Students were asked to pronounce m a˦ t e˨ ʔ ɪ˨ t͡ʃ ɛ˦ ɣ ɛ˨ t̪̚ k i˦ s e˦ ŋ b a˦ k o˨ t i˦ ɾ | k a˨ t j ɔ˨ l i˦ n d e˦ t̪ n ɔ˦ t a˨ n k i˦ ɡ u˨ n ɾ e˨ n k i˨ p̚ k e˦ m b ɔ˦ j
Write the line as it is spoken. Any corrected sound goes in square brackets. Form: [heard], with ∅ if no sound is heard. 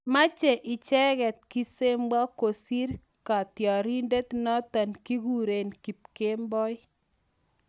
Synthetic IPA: m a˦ [t͡ʃ] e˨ ʔ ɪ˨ t͡ʃ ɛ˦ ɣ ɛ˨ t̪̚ k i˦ s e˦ [m] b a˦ k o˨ [s] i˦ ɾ | k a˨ t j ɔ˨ [ɾ] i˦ n d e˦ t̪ n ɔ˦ t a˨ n k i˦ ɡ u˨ [∅] ɾ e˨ n k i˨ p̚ k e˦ m b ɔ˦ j